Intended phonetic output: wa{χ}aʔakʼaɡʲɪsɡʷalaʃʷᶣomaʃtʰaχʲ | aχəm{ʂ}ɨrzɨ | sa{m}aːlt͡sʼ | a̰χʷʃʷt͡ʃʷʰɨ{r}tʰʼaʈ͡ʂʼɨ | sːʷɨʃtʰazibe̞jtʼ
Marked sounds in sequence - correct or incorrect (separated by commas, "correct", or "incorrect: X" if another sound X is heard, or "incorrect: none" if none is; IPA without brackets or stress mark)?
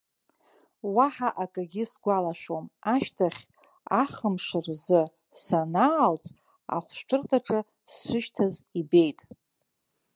incorrect: ħ, correct, incorrect: n, correct